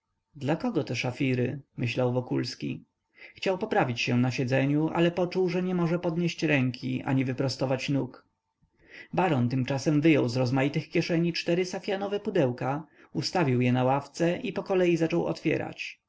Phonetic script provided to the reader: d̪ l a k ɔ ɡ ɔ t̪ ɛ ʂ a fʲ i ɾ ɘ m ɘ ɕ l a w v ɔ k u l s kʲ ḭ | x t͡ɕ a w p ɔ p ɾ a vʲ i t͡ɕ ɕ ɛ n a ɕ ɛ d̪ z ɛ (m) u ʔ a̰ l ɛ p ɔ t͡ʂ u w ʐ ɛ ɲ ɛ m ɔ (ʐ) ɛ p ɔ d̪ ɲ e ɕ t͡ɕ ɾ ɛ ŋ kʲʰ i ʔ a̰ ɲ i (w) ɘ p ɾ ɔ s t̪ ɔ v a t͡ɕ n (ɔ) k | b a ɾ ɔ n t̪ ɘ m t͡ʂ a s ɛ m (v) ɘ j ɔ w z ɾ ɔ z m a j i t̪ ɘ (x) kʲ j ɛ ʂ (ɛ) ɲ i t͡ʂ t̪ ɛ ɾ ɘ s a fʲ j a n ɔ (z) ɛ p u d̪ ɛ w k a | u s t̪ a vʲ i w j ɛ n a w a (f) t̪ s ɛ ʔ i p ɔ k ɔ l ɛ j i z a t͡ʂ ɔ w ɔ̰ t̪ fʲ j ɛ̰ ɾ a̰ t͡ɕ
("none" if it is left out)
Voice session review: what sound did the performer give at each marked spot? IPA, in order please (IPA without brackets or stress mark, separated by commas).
ɲ, ʐ, v, u, v, x, ɛ, v, f